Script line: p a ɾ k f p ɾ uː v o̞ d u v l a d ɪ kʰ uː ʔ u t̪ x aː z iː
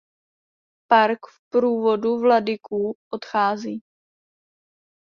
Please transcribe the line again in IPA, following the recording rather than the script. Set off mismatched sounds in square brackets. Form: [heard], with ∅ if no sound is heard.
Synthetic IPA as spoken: p a ɾ k f p ɾ uː v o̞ d u v l a d ɪ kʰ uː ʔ [o] t̪ x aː z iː

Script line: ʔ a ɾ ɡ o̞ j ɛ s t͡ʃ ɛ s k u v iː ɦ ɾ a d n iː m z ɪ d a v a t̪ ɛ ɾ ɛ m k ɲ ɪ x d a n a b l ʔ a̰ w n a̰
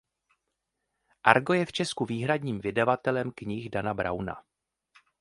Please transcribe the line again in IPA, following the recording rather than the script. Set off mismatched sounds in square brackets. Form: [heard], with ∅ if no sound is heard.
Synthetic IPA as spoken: ʔ a ɾ ɡ o̞ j ɛ [f] t͡ʃ ɛ s k u v iː ɦ ɾ a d [ɲ] iː m [v] ɪ d a v a t̪ ɛ [l] ɛ m k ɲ ɪ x d a n a b [ɾ] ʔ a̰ w n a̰

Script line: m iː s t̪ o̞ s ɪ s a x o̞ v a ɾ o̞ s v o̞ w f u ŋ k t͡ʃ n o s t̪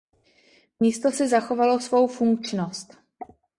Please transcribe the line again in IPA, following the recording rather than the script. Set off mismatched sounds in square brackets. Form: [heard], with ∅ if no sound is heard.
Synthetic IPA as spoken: m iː s t̪ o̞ s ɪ [z] a x o̞ v a [l] o̞ s v o̞ w f u ŋ k t͡ʃ n o s t̪

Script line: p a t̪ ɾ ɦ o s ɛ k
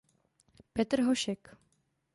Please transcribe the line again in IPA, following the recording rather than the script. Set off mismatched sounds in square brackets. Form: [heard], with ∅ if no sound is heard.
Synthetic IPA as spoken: p [ɛ] t̪ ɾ ɦ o [ʃ] ɛ k

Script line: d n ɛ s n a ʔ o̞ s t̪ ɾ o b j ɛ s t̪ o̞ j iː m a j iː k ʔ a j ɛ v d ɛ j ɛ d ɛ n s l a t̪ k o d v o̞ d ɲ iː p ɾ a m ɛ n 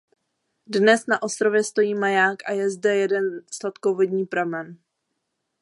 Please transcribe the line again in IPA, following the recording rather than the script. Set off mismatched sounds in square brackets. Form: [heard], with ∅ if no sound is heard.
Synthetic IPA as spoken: d n ɛ s n a ʔ o̞ s t̪ ɾ o [v] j ɛ s t̪ o̞ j iː m a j [aː] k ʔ a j ɛ [z] d ɛ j ɛ d ɛ n s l a t̪ k o [∅] v o̞ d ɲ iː p ɾ a m ɛ n

